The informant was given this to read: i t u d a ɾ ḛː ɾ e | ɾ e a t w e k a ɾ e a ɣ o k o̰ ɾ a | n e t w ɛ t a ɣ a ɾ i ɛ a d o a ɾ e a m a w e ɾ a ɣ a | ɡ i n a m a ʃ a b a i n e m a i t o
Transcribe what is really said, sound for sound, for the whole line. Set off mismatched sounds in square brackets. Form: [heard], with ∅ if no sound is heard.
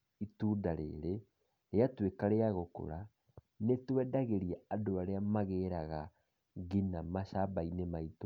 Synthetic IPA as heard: i t u d a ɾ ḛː ɾ e | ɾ e a t w e k a ɾ e a ɣ o k o̰ ɾ a | n e t w ɛ [d] a ɣ [e] ɾ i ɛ a d o a ɾ e a m a [ɣ] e ɾ a ɣ a | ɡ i n a m a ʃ a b a i n e m a i t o